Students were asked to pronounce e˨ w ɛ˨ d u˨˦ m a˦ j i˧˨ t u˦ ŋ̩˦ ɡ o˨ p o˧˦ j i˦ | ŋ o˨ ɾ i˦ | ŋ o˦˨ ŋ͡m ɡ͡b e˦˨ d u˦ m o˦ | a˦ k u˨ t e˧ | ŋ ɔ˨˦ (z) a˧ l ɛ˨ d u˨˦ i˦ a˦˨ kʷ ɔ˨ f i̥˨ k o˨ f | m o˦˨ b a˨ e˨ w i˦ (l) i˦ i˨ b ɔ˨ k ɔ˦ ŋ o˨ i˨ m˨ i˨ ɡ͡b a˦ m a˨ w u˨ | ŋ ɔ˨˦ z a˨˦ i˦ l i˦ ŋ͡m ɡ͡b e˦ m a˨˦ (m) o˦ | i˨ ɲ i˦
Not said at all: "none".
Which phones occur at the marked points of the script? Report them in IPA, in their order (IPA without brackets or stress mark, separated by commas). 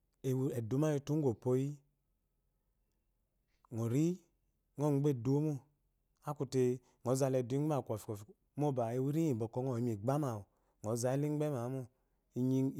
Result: z, ɾ, m